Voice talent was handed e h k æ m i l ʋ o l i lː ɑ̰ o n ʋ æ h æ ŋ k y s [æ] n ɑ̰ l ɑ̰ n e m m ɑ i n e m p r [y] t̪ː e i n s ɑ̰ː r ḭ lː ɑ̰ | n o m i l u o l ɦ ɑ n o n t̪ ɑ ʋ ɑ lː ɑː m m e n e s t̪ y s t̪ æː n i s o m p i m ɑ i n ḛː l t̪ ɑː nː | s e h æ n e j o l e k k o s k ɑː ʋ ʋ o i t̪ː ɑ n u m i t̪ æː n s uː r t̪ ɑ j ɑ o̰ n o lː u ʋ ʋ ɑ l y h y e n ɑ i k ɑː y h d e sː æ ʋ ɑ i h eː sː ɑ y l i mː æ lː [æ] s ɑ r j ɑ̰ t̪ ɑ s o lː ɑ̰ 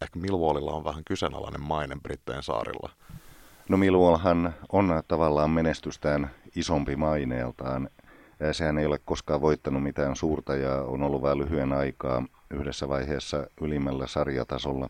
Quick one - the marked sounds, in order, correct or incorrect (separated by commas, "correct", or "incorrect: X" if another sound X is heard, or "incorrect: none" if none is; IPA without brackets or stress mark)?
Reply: incorrect: e, incorrect: i, correct